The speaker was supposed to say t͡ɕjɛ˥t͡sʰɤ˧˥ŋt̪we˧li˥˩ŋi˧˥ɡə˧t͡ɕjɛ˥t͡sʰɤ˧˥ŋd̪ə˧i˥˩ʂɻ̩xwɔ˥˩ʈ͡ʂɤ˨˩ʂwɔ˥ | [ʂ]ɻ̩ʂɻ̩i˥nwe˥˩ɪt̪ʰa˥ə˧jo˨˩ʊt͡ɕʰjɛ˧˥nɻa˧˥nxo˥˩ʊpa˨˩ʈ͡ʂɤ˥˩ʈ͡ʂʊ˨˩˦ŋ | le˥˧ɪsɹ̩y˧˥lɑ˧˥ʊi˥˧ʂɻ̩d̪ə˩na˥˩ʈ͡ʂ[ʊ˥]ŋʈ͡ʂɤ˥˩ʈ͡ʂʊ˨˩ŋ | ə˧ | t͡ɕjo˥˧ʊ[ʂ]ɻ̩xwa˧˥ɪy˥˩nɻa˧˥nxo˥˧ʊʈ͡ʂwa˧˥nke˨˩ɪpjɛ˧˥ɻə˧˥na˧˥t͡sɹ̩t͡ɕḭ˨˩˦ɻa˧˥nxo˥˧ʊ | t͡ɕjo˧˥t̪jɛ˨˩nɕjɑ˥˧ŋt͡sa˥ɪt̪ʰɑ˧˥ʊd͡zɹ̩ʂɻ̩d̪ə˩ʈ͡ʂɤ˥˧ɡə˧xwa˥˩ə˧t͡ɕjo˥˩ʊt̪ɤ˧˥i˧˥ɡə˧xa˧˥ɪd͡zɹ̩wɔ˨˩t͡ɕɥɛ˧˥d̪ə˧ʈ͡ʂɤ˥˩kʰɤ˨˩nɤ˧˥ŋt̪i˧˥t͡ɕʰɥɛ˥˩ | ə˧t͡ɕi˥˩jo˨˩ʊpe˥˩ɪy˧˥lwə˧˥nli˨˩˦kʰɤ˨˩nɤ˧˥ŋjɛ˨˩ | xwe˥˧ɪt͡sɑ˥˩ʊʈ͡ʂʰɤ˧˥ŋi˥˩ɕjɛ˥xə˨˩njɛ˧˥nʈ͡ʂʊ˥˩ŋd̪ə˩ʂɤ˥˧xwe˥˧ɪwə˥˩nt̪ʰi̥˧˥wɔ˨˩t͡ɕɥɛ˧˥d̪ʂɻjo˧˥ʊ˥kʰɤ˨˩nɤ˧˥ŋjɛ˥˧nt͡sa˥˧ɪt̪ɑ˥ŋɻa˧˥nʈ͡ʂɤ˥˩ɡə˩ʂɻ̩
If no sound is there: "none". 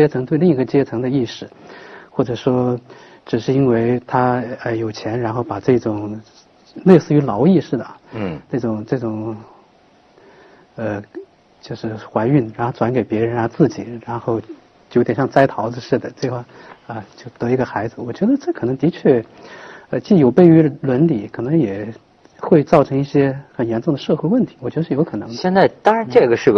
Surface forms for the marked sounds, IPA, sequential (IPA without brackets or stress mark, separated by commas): ʈ͡ʂ, ʊ˨˩, ʂ